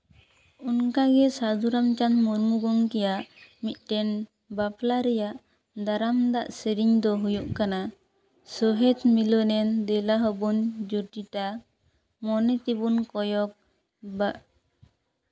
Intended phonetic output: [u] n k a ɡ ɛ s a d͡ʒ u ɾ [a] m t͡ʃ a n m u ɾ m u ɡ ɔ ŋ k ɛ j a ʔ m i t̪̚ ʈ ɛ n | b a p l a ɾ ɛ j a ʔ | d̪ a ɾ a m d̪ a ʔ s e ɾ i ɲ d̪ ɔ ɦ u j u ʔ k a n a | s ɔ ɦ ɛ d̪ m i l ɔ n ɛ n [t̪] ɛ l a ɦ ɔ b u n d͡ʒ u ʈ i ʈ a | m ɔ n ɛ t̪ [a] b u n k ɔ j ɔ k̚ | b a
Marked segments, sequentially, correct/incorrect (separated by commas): correct, correct, incorrect, incorrect